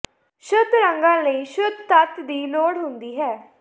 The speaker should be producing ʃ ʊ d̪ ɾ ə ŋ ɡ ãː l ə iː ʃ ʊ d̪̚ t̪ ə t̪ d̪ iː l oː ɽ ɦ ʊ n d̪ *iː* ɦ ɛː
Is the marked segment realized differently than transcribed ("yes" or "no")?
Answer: no